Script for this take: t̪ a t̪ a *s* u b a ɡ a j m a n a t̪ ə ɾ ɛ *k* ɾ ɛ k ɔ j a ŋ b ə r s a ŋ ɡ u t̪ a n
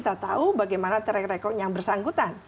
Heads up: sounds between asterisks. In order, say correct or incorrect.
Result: incorrect: none, correct

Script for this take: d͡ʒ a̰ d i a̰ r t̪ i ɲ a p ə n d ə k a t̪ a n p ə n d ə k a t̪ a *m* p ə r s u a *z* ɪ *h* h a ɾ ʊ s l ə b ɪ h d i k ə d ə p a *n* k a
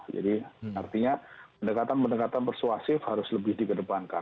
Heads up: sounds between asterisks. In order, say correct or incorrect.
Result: incorrect: n, incorrect: s, incorrect: f, correct

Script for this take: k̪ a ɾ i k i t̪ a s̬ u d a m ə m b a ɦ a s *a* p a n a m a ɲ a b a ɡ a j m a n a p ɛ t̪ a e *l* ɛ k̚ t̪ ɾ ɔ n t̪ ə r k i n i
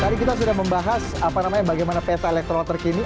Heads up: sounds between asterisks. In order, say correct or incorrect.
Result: correct, correct

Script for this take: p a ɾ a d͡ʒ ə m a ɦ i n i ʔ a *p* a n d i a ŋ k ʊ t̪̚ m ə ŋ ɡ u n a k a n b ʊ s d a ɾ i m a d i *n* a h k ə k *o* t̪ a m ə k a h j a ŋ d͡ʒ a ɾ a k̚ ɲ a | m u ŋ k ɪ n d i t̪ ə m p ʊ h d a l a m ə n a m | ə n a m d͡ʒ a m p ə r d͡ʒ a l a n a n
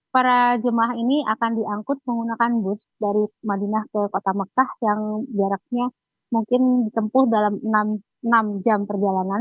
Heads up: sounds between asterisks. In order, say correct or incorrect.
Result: incorrect: k, correct, correct

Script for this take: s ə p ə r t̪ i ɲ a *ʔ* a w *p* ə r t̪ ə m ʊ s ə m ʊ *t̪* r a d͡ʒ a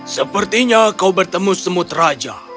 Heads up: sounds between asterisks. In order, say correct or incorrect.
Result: incorrect: k, incorrect: b, correct

